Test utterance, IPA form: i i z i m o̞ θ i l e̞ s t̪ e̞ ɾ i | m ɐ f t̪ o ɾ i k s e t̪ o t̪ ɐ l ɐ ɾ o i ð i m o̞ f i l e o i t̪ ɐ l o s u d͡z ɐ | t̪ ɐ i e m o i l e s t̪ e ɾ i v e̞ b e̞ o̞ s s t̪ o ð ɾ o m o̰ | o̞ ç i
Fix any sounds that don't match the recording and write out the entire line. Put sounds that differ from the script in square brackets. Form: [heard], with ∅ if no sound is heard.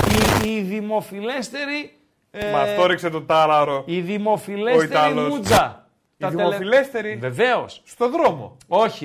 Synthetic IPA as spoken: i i [ð] i m o̞ [f] i l e̞ s t̪ e̞ ɾ i | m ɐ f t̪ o ɾ i k s e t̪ o t̪ ɐ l ɐ ɾ o i ð i m o̞ f i l e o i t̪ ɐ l o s u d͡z ɐ | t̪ ɐ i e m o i l e s t̪ e ɾ i v e̞ [v] e̞ o̞ s s t̪ o ð ɾ o m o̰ | o̞ ç i